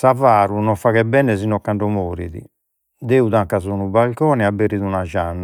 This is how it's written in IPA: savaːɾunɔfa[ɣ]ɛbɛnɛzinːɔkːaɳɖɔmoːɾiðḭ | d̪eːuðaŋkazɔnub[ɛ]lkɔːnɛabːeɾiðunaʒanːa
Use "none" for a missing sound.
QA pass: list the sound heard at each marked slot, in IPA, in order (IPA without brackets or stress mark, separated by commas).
ɣ, a